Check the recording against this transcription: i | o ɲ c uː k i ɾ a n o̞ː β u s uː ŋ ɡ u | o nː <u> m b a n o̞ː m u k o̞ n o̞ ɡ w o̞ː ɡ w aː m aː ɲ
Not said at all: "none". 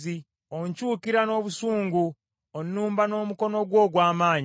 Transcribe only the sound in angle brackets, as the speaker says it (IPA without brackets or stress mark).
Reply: uː